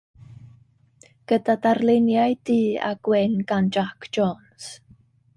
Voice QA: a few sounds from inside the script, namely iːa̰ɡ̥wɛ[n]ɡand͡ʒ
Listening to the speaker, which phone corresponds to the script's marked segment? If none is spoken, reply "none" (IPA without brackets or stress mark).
n